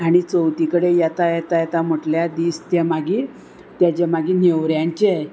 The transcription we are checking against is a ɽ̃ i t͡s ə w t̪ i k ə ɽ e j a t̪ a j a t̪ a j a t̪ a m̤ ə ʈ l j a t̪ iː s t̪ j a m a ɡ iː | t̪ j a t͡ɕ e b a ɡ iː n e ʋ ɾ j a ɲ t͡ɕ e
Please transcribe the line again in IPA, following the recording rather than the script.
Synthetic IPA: a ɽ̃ i t͡s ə w t̪ i k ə ɽ e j a t̪ a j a t̪ a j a t̪ a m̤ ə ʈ l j a d̪ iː s t̪ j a m a ɡ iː | t̪ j a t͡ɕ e m a ɡ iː n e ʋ ɾ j a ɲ t͡ɕ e